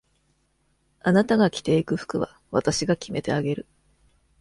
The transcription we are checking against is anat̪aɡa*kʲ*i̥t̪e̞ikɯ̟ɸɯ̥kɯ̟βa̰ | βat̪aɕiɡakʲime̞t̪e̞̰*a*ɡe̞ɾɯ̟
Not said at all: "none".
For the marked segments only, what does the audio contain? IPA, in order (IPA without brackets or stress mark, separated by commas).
kʲ, a